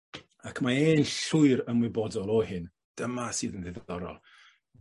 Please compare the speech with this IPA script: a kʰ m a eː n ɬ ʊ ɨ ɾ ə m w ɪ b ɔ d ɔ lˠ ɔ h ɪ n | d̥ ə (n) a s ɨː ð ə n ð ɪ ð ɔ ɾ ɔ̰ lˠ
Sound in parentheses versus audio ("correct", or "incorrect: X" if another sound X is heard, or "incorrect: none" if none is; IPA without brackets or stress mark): incorrect: m